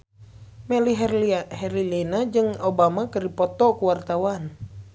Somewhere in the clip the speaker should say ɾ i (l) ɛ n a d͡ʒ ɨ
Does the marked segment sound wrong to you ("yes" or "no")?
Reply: no